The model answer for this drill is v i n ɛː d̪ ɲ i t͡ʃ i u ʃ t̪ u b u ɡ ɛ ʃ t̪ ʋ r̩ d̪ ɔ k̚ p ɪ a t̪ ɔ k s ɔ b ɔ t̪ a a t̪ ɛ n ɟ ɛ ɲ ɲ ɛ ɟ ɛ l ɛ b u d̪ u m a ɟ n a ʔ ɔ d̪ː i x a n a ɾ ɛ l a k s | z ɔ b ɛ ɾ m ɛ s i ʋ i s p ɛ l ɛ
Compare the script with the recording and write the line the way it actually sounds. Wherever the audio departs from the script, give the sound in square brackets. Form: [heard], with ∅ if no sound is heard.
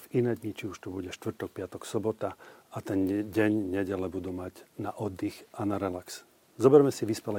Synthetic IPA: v i n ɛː d̪ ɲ i t͡ʃ i u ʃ t̪ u b u [ɟ] ɛ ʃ t̪ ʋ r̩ [t̪] ɔ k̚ p ɪ a t̪ ɔ k s ɔ b ɔ t̪ a a t̪ ɛ n ɟ ɛ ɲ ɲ ɛ ɟ ɛ l ɛ b u d̪ u m a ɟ n a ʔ ɔ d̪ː i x a n a ɾ ɛ l a k s | z ɔ b ɛ ɾ m ɛ s i ʋ i s p ɛ l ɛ